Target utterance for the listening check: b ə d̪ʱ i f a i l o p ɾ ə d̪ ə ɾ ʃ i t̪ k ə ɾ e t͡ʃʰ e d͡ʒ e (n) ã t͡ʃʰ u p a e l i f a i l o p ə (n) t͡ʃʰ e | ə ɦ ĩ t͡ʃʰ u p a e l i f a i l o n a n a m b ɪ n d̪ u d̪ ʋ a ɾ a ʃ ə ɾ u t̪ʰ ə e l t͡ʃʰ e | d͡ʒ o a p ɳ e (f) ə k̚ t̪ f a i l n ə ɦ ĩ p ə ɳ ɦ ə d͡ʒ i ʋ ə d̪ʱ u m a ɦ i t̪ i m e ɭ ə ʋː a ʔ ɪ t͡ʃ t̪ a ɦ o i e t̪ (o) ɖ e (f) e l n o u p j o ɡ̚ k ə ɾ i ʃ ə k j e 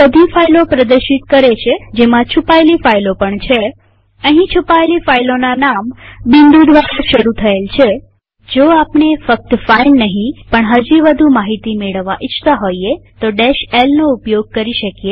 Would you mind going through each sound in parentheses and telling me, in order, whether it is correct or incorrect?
incorrect: m, incorrect: ɳ, correct, correct, incorrect: ʃ

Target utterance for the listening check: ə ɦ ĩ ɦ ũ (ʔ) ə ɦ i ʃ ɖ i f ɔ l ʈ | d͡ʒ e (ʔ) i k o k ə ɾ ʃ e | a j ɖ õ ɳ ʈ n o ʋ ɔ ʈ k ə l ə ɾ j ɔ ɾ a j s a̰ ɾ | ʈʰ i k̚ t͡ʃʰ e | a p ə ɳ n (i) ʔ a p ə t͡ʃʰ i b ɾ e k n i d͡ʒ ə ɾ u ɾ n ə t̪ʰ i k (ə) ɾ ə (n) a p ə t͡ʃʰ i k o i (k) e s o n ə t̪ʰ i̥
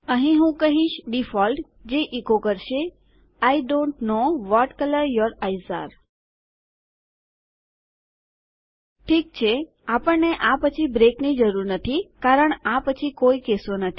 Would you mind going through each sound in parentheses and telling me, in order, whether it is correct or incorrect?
incorrect: k, correct, incorrect: e, incorrect: a, incorrect: ɳ, correct

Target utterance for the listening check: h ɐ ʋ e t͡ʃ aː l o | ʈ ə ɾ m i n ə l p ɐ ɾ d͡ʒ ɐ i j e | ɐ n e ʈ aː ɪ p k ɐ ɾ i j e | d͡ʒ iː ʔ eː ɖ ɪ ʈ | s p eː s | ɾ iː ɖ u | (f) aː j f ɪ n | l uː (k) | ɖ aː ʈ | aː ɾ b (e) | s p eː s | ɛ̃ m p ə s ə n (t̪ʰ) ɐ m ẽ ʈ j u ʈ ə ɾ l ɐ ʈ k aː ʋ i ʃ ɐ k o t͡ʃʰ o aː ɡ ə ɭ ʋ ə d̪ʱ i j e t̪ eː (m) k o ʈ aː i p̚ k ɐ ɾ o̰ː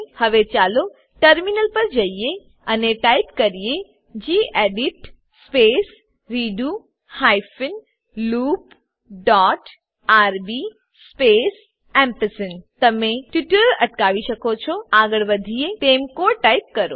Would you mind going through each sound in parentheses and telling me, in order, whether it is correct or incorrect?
incorrect: h, incorrect: p, incorrect: i, incorrect: t̪, correct

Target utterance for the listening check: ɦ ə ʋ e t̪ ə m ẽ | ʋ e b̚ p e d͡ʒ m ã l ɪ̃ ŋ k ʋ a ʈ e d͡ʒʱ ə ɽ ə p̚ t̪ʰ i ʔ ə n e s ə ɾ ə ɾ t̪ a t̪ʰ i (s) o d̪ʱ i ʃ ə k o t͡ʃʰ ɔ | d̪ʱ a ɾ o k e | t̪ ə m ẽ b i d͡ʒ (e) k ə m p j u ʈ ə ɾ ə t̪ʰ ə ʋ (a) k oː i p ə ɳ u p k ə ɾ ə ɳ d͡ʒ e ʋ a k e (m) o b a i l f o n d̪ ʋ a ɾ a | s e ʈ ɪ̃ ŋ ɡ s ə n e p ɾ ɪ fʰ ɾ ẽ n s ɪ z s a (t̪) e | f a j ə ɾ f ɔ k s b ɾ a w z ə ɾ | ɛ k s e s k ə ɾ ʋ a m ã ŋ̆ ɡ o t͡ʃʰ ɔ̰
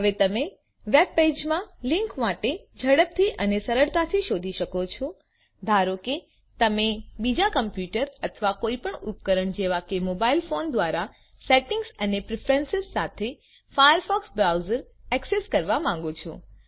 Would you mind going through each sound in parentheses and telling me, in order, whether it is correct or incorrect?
incorrect: ʃ, incorrect: a, correct, correct, incorrect: t̪ʰ

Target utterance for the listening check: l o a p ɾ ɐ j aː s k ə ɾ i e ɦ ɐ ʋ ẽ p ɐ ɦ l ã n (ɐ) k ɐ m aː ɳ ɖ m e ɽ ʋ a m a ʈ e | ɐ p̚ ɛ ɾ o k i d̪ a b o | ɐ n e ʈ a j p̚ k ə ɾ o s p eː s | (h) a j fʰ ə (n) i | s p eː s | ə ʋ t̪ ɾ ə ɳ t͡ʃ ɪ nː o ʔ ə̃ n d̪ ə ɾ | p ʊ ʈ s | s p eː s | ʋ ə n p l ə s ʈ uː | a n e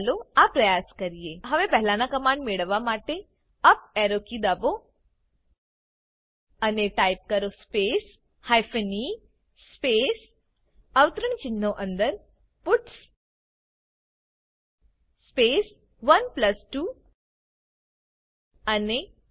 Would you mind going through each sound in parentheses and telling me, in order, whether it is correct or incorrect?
incorrect: a, correct, correct

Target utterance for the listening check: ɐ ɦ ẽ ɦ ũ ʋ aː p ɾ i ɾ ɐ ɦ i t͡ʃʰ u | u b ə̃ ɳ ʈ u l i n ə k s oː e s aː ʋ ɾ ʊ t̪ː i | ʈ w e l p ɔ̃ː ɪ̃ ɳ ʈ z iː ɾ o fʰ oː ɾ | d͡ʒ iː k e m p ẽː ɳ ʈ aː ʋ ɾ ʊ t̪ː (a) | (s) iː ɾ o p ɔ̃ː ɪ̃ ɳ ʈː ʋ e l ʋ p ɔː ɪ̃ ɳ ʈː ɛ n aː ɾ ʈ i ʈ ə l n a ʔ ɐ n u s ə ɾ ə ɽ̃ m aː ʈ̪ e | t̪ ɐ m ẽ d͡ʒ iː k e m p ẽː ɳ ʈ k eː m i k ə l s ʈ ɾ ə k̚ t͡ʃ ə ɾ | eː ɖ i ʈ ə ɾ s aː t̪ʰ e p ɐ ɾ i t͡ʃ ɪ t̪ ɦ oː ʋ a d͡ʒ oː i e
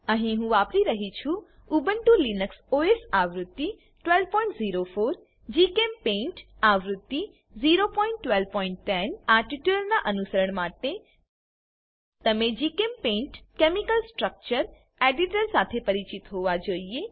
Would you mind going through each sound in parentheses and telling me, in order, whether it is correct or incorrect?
incorrect: i, incorrect: z

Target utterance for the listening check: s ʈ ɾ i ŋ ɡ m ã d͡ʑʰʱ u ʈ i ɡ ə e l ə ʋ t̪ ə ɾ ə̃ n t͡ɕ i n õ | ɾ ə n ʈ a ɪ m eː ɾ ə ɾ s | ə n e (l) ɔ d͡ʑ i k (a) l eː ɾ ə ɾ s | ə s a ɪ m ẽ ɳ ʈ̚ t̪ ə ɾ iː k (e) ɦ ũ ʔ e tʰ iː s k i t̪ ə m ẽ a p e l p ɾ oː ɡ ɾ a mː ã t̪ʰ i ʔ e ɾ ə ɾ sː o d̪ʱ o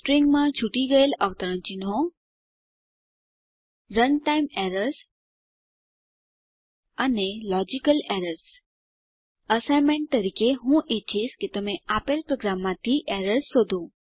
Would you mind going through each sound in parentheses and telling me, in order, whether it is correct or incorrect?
correct, incorrect: ə, correct

